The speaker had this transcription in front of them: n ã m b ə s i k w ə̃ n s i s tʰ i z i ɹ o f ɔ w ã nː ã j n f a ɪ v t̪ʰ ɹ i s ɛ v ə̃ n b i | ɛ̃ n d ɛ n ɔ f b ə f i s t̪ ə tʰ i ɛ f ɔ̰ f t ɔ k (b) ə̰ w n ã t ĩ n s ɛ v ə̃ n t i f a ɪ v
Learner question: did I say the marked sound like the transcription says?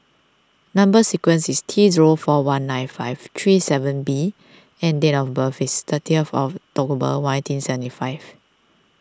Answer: yes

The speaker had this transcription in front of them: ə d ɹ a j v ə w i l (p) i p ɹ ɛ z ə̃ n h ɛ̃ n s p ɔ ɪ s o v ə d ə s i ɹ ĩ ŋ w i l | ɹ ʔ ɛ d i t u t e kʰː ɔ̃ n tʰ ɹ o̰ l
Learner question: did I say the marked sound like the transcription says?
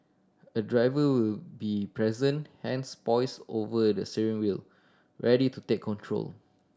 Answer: no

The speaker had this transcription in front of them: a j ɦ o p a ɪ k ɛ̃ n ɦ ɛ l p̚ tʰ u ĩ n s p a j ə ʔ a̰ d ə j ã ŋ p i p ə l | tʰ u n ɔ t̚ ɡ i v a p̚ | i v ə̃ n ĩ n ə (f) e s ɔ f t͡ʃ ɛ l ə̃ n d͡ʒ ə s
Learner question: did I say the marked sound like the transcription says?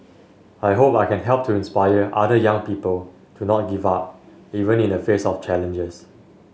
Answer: yes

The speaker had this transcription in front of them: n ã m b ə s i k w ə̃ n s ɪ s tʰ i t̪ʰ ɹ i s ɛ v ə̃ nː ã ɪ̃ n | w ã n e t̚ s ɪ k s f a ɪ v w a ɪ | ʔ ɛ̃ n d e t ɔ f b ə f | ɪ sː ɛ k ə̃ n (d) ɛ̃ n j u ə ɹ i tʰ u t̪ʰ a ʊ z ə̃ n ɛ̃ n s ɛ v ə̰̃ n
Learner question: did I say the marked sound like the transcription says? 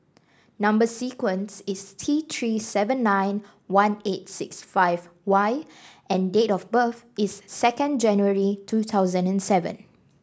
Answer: no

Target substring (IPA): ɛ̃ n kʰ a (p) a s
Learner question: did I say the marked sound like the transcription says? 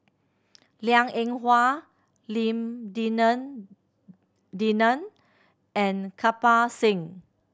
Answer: yes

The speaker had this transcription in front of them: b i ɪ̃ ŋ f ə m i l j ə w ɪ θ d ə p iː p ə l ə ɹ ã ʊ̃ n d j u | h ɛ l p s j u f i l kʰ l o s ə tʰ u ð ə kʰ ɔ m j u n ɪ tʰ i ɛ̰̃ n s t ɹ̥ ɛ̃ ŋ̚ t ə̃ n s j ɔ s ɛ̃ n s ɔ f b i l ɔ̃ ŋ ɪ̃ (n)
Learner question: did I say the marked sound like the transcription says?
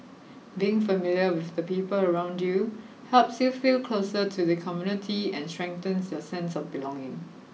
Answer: no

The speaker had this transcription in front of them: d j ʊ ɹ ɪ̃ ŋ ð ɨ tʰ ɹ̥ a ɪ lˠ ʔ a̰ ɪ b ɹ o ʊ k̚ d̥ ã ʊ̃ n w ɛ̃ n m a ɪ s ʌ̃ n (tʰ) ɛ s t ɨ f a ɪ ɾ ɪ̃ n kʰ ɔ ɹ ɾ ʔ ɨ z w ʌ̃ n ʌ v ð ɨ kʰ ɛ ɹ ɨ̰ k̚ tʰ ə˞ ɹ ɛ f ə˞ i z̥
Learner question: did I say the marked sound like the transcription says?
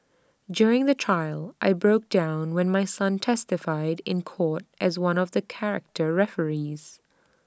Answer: yes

